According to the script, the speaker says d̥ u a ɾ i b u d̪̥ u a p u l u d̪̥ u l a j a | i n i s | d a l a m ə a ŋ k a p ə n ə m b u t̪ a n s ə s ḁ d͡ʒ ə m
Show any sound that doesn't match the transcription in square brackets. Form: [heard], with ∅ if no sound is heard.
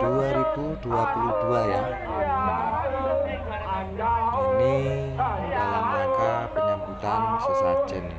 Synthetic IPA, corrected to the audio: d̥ u a ɾ i b u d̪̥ u a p u l u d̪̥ u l a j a | i n i [∅] | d a l a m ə a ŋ k a p ə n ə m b u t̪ a n s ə s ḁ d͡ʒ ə [n]